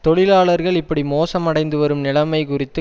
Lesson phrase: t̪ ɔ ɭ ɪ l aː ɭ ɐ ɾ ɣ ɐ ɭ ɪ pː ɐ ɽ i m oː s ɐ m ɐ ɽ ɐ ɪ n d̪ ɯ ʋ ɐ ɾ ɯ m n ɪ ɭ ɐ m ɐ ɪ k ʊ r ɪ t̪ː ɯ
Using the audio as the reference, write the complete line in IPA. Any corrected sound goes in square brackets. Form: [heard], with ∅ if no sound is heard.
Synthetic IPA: t̪ ɔ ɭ ɪ l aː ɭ ɐ ɾ ɣ ɐ ɭ ɪ pː ɐ ɽ i m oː s ɐ m ɐ ɽ ɐ ɪ n d̪ ɯ ʋ ɐ ɾ ɯ m n ɪ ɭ ɐ m ɐ ɪ k ʊ r ɪ t̪ː ɯ

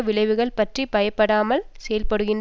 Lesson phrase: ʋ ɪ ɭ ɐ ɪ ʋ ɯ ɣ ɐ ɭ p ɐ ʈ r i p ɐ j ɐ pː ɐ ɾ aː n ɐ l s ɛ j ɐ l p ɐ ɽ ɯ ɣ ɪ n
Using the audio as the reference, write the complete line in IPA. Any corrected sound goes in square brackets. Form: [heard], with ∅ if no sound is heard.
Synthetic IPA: ʋ ɪ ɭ ɐ ɪ ʋ ɯ ɣ ɐ ɭ p ɐ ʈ r i p ɐ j ɐ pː ɐ [ɽ] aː [m] ɐ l s ɛ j ɐ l p ɐ ɽ ɯ ɣ ɪ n

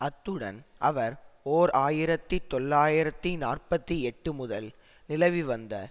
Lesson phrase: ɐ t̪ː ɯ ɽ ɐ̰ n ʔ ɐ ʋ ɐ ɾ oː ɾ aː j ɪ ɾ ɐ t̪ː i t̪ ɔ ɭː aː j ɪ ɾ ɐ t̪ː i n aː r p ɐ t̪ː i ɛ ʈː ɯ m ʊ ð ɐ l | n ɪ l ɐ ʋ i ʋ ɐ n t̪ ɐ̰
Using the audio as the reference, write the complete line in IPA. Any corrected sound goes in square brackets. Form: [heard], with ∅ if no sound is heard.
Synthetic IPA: ɐ t̪ː ɯ ɽ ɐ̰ n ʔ ɐ ʋ ɐ ɾ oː ɾ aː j ɪ ɾ ɐ t̪ː i t̪ ɔ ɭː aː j ɪ ɾ ɐ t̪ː i n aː r p ɐ t̪ː i ɛ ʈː ɯ m ʊ ð ɐ l | n ɪ l ɐ ʋ i ʋ ɐ n [d̪] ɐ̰

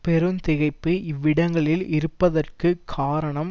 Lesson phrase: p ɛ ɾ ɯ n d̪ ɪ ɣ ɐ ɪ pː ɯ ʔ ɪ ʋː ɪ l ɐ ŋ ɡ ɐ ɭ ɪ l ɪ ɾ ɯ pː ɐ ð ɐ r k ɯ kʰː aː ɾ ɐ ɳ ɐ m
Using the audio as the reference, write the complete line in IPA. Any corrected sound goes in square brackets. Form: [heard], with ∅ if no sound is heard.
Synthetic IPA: p ɛ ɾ ɯ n [t̪] ɪ ɣ ɐ ɪ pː ɯ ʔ ɪ ʋː ɪ [ɽ] ɐ ŋ ɡ ɐ ɭ ɪ l ɪ ɾ ɯ pː ɐ ð ɐ r k ɯ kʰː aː ɾ ɐ ɳ ɐ m

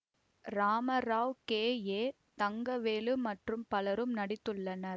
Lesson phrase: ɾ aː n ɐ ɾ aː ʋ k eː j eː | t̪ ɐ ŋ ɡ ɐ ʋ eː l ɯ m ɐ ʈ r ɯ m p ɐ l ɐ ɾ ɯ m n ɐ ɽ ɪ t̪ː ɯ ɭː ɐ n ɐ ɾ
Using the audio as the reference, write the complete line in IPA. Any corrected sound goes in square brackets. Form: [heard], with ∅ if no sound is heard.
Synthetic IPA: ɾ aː [m] ɐ ɾ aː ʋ k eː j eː | t̪ ɐ ŋ ɡ ɐ ʋ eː l ɯ m ɐ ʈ r ɯ m p ɐ l ɐ ɾ ɯ m n ɐ ɽ ɪ t̪ː ɯ ɭː ɐ n ɐ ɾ

